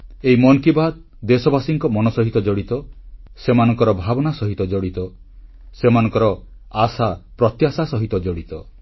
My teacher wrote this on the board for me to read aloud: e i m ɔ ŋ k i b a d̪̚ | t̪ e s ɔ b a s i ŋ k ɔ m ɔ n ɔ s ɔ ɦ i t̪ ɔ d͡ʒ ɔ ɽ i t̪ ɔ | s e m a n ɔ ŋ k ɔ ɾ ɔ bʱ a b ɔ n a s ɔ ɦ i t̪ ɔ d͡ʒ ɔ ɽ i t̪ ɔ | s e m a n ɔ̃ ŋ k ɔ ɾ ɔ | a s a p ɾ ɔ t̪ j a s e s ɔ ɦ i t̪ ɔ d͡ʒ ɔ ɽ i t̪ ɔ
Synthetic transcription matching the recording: e i m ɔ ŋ k i b a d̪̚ | d̪ e s ɔ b a s i ŋ k ɔ m ɔ n ɔ s ɔ ɦ i t̪ ɔ d͡ʒ ɔ ɽ i t̪ ɔ | s e m a n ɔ ŋ k ɔ ɾ ɔ bʱ a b ɔ n a s ɔ ɦ i t̪ ɔ d͡ʒ ɔ ɽ i t̪ ɔ | s e m a n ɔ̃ ŋ k ɔ ɾ ɔ | a s a p ɾ ɔ t̪ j a s a s ɔ ɦ i t̪ ɔ d͡ʒ ɔ ɽ i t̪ ɔ